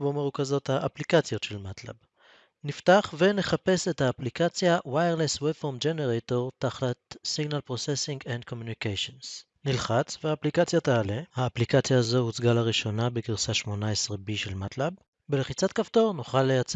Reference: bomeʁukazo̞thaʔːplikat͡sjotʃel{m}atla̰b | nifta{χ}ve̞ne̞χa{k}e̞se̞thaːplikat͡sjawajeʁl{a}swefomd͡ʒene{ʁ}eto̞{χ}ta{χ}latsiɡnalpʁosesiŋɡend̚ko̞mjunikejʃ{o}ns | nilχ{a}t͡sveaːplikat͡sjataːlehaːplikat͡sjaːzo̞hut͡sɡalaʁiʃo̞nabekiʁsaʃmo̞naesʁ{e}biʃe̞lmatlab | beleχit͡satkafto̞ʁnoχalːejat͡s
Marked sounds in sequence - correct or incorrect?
correct, correct, incorrect: p, incorrect: e, correct, incorrect: ʁ, correct, correct, correct, correct

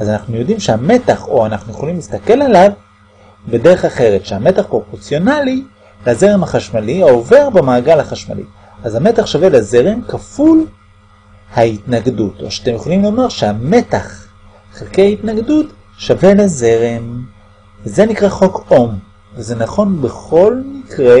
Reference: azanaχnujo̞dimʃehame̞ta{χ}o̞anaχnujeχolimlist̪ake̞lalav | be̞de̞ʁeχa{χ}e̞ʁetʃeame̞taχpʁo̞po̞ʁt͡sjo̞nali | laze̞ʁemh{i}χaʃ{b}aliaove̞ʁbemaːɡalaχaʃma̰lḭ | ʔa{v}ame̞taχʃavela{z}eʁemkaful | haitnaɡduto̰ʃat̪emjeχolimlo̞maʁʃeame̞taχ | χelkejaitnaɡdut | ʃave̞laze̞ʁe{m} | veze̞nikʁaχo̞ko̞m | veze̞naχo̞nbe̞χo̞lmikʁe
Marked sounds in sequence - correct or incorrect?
correct, correct, incorrect: a, incorrect: m, incorrect: z, correct, correct

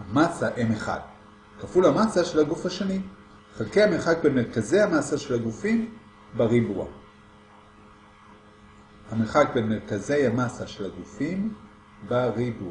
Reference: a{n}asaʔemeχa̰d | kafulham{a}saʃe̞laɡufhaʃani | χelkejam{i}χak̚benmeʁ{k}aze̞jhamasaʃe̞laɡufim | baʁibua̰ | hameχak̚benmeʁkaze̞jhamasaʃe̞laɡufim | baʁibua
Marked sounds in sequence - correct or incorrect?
incorrect: m, correct, incorrect: e, correct

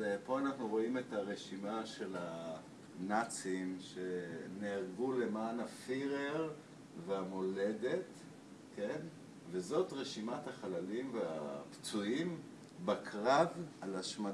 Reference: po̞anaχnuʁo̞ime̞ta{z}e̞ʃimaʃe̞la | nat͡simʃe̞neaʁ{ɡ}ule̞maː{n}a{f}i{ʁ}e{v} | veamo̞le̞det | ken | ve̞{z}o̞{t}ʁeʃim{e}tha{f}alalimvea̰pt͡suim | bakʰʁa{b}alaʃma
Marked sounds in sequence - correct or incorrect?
incorrect: ʁ, correct, correct, correct, correct, incorrect: ʁ, correct, correct, incorrect: a, incorrect: χ, incorrect: v

